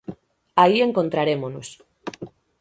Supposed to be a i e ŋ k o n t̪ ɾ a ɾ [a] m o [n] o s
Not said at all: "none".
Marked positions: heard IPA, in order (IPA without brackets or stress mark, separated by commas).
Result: e, n